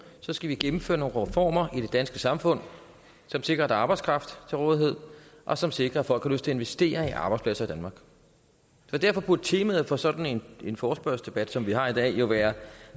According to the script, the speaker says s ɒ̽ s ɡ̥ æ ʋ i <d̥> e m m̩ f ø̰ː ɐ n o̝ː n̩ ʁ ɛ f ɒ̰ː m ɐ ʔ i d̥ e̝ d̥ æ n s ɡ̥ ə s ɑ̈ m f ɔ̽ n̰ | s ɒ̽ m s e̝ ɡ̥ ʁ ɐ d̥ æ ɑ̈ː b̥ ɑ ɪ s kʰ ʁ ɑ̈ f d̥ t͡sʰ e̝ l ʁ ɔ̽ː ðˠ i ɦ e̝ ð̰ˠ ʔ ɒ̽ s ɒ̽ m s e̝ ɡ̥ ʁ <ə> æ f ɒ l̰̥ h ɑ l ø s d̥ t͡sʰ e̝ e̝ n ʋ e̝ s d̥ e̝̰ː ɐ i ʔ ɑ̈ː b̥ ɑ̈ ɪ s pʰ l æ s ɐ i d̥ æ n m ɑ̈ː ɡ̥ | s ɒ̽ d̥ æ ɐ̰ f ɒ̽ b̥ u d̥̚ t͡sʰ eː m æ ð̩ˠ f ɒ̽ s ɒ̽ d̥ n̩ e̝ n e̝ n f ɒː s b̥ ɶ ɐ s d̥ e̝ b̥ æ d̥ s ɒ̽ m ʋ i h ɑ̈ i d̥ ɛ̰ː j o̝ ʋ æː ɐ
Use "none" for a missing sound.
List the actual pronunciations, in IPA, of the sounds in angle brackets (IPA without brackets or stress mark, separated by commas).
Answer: ɡ̥, ɐ